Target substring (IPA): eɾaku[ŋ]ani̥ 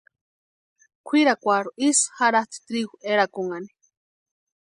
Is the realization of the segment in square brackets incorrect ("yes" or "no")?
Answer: no